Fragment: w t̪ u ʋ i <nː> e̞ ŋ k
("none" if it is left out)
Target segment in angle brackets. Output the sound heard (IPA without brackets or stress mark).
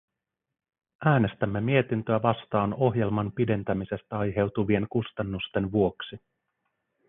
none